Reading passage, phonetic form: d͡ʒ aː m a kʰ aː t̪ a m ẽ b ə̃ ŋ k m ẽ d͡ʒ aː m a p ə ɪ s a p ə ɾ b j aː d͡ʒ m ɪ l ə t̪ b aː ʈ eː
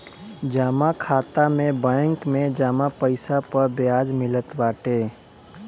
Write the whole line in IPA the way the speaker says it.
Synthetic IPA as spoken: d͡ʒ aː m a kʰ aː t̪ a m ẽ b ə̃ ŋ k m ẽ d͡ʒ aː m a p ə ɪ s a p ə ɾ b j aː d͡ʒ m ɪ l ə t̪ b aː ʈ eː